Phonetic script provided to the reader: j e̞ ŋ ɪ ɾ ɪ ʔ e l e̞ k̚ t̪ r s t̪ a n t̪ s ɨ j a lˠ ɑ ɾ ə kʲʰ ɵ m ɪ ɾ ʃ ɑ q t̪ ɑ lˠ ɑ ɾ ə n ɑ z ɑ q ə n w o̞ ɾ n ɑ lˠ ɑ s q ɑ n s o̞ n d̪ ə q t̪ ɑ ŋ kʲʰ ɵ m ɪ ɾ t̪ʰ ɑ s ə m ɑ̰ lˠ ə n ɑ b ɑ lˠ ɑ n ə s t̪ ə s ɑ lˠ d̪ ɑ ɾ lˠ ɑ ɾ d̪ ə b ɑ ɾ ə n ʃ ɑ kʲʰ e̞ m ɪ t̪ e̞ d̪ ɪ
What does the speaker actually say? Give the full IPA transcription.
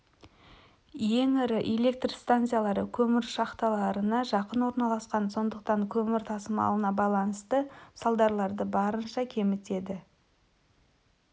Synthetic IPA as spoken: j e̞ ŋ ɪ ɾ ɪ ʔ e l e̞ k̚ t̪ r s t̪ a n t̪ s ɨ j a lˠ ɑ ɾ ə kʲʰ ɵ m ɪ ɾ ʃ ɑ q t̪ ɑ lˠ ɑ ɾ ə n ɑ ʒ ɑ q ə n w o̞ ɾ n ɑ lˠ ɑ s q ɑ n s o̞ n d̪ ə q t̪ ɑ ŋ kʲʰ ɵ m ɪ ɾ t̪ʰ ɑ s ə m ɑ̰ lˠ ə n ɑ b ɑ lˠ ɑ n ə s t̪ ə s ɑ lˠ d̪ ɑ ɾ lˠ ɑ ɾ d̪ ə b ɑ ɾ ə n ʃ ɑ kʲʰ e̞ m ɪ t̪ e̞ d̪ ɪ